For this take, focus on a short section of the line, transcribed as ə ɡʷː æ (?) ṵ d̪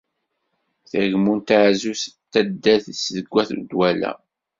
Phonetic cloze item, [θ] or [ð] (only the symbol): θ